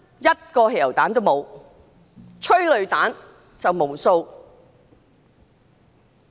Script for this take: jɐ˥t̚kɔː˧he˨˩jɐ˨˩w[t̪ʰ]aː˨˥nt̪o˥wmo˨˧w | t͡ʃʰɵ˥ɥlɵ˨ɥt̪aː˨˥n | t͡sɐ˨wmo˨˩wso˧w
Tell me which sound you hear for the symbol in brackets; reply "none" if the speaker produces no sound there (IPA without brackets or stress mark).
t̪